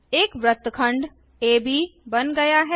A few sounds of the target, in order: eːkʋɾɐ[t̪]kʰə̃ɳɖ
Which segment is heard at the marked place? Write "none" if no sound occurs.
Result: t̪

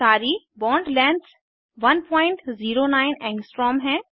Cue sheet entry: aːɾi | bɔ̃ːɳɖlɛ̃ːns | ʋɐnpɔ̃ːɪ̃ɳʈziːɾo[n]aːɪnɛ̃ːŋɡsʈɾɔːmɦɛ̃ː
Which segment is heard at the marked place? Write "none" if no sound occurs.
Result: n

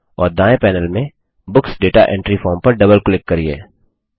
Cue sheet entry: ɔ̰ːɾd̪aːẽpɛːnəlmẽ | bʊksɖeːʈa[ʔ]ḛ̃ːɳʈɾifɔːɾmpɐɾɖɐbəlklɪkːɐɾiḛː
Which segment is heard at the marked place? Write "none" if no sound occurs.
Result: ʔ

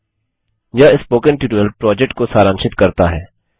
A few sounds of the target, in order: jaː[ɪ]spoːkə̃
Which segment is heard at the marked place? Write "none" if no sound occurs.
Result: ɪ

